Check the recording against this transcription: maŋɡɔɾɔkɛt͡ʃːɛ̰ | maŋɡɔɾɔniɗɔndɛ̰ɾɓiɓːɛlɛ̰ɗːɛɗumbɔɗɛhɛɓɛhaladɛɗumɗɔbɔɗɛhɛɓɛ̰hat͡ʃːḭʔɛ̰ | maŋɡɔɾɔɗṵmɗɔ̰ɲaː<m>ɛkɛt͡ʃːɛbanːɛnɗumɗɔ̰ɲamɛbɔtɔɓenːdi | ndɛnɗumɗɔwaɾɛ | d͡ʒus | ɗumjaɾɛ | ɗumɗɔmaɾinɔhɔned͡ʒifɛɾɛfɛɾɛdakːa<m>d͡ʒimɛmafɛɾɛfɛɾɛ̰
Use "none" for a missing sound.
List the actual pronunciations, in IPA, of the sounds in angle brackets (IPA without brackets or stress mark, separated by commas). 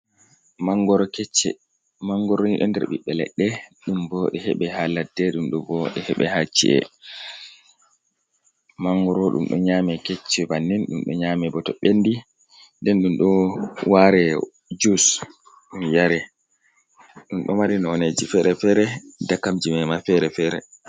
m, m